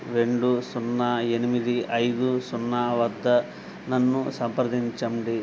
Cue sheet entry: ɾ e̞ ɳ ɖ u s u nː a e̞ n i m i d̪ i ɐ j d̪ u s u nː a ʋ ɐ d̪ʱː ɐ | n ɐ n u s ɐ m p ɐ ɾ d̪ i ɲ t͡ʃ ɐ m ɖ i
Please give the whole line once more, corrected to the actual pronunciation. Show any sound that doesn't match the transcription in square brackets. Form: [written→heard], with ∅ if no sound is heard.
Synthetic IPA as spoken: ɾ e̞ ɳ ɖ u s u nː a e̞ n i m i d̪ i ɐ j d̪ u s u nː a ʋ ɐ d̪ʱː ɐ | n ɐ [n→nː] u s ɐ m p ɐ ɾ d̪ i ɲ t͡ʃ ɐ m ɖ i